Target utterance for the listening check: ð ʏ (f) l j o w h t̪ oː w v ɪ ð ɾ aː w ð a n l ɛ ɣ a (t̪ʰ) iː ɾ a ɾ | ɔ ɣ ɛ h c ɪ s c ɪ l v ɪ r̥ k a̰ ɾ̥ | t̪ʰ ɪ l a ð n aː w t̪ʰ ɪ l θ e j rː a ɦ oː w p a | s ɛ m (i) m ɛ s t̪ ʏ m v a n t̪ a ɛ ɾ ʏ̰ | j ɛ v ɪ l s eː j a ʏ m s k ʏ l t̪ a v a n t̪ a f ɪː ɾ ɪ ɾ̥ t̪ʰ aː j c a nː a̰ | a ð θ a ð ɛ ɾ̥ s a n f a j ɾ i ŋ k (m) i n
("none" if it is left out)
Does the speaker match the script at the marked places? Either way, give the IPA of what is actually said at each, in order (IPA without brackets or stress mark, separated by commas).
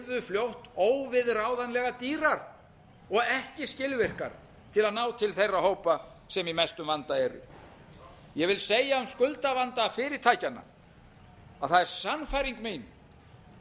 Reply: f, t̪, i, m